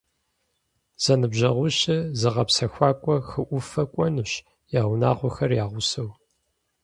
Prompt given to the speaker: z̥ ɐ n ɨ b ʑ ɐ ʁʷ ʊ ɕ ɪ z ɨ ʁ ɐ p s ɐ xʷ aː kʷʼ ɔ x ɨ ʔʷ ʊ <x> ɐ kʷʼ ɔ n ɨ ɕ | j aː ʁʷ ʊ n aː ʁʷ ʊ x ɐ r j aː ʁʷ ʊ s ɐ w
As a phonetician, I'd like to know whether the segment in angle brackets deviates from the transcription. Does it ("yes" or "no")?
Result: yes